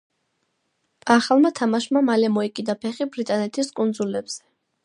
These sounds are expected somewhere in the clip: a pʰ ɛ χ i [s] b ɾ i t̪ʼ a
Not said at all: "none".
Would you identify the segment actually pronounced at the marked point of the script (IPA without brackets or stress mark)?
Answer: none